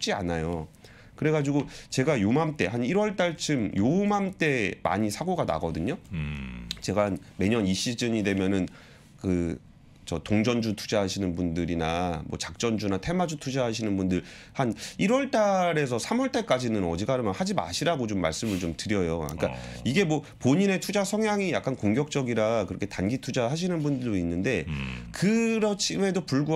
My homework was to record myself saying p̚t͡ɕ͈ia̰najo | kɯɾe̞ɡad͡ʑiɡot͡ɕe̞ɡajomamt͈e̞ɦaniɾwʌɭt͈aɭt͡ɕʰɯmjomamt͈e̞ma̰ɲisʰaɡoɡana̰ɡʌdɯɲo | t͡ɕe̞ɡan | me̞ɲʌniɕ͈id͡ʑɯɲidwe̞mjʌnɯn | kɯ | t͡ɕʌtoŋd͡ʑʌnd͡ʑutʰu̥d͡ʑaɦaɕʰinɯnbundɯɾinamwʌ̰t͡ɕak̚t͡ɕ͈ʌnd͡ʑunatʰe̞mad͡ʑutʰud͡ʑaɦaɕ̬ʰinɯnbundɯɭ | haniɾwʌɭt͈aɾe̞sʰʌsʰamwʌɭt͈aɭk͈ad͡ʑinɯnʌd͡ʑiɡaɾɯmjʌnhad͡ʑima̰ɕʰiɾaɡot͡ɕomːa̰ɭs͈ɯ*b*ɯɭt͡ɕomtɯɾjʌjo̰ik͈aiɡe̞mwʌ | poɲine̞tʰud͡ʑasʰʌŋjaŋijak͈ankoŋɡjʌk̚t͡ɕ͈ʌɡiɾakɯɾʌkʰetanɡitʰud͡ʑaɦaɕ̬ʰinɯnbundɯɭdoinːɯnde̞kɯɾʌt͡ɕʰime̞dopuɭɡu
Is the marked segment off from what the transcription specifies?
yes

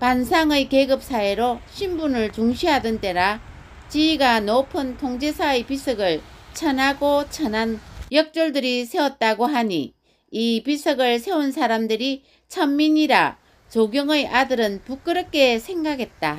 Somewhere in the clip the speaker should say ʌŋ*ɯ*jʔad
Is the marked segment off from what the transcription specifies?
no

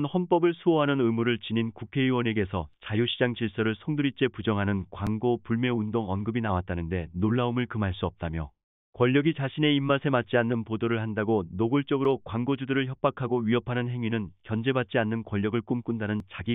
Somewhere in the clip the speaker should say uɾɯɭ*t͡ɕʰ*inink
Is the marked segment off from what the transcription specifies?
yes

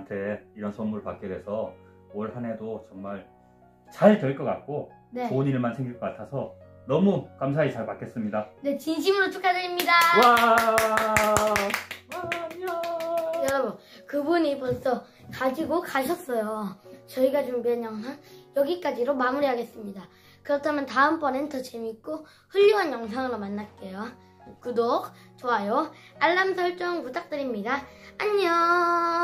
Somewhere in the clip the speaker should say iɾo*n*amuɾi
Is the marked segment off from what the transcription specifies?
yes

